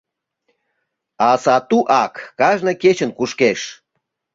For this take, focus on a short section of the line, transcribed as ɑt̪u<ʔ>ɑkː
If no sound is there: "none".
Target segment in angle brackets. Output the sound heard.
ʔ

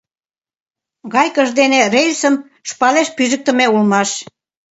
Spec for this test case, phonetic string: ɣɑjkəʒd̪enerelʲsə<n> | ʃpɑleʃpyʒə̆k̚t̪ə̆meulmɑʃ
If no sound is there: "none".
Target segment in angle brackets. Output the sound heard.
m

